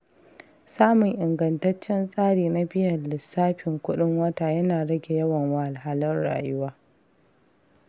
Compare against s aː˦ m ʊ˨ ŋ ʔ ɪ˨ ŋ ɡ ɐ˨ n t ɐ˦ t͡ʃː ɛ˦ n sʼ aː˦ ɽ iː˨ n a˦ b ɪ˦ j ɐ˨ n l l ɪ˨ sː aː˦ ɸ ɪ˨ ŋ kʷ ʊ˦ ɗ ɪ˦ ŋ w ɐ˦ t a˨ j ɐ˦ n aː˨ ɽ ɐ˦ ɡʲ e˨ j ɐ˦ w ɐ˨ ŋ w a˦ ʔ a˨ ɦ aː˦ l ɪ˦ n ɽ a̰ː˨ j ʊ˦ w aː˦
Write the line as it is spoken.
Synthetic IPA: s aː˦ m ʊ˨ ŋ ʔ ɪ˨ ŋ ɡ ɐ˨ n t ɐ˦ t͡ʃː ɛ˦ n sʼ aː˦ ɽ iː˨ n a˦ b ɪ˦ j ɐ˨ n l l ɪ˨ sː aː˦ ɸ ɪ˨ ŋ kʷ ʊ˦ ɗ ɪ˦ ŋ w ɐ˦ t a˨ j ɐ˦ n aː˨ ɽ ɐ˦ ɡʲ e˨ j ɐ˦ w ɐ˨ ŋ w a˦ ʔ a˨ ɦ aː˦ l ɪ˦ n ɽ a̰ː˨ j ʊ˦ w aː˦

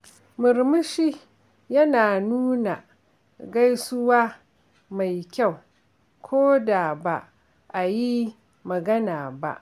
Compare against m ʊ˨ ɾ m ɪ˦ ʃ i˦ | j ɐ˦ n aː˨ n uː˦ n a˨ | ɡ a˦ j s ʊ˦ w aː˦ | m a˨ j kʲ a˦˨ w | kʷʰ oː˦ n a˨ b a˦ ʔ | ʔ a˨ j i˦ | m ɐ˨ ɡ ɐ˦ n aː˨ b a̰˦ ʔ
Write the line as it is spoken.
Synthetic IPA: m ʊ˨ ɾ m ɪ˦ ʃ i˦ | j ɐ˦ n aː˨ n uː˦ n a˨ | ɡ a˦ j s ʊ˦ w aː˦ | m a˨ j kʲ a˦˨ w | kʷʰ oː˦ d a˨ b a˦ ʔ | ʔ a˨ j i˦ | m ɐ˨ ɡ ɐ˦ n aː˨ b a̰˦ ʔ

